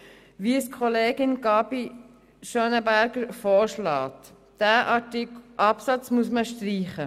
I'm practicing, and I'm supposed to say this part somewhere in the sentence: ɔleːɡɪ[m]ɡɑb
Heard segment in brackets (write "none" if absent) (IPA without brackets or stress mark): n